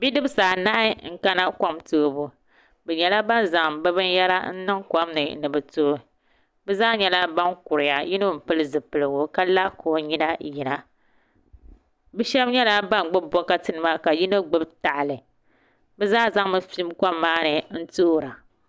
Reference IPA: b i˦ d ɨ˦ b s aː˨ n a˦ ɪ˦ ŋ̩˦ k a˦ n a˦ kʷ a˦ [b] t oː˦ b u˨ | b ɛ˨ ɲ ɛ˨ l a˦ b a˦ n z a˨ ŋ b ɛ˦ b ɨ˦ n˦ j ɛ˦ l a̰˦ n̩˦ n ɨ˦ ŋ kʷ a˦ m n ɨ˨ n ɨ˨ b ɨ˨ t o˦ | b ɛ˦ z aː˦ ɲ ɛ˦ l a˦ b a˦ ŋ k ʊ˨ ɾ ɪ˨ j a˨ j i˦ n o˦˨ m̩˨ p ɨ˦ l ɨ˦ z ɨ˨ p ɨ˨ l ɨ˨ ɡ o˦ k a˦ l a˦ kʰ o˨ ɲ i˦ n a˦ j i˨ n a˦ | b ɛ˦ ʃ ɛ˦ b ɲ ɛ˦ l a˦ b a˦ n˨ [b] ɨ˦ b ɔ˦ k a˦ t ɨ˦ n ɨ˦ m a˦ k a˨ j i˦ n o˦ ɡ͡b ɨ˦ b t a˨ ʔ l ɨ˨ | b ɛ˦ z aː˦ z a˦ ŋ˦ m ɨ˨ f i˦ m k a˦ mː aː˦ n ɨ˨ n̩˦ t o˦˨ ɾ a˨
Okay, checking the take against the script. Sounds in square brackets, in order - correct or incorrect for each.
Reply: incorrect: m, incorrect: ɡ͡b

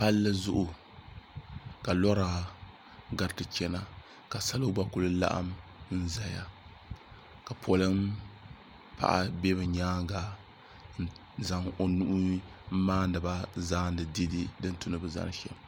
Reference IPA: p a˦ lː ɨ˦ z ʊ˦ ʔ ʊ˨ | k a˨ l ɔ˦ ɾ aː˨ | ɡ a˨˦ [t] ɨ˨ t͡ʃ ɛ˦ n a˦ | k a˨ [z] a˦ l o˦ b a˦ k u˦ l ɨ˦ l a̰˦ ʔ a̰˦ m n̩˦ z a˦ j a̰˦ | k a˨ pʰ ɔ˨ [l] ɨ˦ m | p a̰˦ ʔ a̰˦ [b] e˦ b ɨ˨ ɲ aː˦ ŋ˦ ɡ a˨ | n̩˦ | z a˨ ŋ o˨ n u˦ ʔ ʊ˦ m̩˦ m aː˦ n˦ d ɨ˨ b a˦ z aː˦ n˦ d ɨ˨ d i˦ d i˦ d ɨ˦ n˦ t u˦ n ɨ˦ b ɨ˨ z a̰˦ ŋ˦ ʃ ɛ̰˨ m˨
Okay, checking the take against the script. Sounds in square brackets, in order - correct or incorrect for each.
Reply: correct, incorrect: s, correct, correct

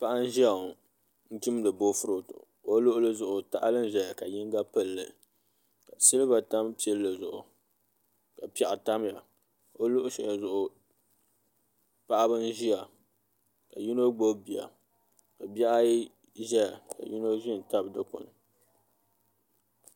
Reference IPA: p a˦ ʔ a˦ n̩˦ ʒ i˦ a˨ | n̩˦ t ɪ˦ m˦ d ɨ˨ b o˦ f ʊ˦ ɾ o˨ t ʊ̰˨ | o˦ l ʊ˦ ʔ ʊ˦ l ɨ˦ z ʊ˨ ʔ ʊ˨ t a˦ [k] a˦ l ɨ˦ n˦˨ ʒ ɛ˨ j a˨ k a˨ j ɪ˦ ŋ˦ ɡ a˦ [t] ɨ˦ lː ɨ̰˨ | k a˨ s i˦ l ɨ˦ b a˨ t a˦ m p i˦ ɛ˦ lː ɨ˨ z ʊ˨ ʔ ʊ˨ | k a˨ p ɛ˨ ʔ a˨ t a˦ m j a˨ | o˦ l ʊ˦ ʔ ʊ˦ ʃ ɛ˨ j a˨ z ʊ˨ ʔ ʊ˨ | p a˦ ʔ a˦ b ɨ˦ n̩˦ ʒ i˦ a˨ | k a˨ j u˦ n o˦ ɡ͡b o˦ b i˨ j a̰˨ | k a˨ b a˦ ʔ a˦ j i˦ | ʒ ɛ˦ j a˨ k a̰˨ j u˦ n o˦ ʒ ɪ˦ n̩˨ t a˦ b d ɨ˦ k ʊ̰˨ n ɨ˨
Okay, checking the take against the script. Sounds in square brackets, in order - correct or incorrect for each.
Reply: incorrect: ʔ, incorrect: p

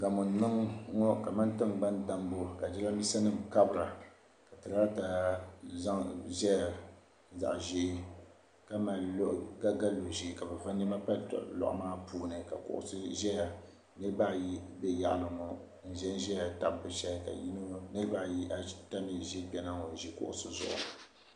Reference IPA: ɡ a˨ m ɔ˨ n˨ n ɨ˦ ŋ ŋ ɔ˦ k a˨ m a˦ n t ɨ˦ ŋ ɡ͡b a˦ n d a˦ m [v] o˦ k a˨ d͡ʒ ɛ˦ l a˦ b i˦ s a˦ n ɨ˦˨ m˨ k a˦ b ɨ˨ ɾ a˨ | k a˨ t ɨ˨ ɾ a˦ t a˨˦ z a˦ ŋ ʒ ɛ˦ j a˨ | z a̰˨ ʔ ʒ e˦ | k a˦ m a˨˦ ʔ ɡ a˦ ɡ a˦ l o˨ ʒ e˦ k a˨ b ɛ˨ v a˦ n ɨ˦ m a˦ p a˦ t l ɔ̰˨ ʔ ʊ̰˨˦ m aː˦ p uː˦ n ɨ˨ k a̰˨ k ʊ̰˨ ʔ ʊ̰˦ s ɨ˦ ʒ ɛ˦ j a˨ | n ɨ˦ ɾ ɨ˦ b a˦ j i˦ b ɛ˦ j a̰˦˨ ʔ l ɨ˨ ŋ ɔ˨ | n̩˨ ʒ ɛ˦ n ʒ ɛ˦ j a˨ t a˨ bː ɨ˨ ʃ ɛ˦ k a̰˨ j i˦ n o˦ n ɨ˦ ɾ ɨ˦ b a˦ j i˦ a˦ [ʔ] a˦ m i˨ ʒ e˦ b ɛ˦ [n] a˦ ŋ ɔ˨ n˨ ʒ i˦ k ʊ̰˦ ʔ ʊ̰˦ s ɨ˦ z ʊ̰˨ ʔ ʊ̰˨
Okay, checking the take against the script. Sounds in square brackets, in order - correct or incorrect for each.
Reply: incorrect: b, incorrect: t, correct

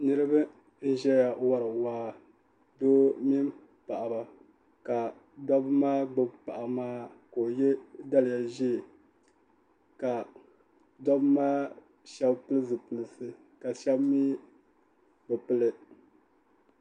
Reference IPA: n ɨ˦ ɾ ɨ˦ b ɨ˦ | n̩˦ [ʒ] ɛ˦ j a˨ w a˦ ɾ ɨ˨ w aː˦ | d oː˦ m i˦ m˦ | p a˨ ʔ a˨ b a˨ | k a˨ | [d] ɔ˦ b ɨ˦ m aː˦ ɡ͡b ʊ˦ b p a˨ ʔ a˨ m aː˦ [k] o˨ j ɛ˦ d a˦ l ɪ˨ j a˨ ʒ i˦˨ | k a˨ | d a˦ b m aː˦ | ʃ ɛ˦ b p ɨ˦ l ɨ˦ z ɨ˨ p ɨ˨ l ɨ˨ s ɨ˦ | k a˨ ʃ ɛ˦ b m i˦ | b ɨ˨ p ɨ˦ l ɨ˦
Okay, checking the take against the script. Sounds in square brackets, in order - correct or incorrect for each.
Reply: correct, correct, correct

